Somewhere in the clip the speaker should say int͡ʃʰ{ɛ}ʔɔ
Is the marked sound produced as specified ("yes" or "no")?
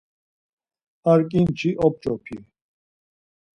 no